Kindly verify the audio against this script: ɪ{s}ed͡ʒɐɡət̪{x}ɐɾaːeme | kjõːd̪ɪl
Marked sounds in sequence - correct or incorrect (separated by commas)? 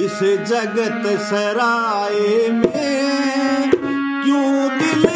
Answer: correct, incorrect